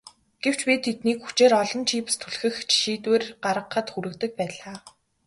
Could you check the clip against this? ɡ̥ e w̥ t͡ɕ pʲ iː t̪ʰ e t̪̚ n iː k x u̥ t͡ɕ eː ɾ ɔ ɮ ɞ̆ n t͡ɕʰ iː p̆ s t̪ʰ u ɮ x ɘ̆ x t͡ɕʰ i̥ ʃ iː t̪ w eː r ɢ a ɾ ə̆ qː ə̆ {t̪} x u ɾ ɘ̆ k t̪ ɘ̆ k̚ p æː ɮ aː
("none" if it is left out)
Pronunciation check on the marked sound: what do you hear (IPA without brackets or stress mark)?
t̪